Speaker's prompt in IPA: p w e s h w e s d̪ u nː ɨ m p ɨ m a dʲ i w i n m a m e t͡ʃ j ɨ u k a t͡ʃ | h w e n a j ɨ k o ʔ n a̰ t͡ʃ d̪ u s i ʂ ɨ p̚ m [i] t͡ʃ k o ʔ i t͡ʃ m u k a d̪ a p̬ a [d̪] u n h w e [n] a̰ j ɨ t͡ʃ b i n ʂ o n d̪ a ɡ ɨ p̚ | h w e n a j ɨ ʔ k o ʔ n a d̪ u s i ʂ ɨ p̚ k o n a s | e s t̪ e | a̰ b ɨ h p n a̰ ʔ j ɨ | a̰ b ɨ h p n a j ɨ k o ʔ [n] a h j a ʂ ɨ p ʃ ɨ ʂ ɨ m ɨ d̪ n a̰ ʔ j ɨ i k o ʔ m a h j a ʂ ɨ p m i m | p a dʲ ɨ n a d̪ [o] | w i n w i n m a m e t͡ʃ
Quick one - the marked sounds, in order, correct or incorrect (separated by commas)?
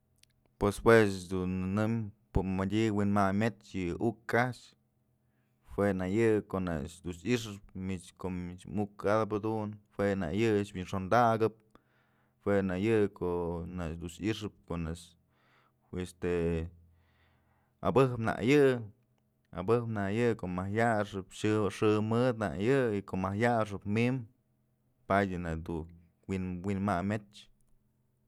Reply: correct, correct, correct, incorrect, incorrect